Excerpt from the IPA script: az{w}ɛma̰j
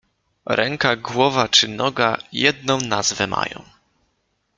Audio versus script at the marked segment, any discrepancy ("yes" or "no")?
yes